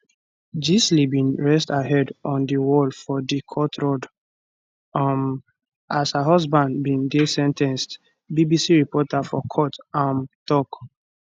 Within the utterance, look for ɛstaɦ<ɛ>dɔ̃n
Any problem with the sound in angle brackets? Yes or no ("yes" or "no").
no